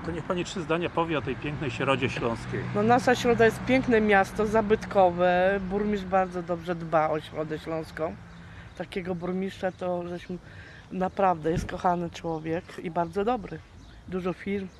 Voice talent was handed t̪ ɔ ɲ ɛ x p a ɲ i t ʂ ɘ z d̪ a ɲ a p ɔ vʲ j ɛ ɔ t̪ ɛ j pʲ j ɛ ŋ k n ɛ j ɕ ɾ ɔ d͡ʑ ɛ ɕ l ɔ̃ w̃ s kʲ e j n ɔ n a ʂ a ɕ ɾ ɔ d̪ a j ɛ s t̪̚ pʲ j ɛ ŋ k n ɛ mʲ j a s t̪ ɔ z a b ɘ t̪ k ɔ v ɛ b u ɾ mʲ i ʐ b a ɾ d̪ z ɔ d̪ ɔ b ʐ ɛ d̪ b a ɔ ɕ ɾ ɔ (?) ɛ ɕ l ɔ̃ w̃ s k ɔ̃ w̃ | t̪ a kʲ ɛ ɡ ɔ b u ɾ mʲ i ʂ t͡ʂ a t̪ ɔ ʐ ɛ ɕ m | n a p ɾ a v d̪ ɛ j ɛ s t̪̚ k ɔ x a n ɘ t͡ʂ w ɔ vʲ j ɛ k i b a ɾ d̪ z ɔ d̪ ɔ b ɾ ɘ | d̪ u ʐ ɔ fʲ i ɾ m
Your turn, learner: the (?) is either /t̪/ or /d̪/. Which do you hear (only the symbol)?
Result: d̪